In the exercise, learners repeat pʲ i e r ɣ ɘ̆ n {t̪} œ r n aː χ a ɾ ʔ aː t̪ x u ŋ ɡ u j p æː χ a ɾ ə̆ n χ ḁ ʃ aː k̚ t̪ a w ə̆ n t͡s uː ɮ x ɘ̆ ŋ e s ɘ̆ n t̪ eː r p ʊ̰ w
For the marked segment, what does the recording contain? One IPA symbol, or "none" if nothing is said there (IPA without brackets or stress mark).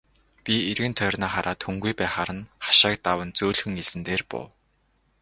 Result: t̪ʰ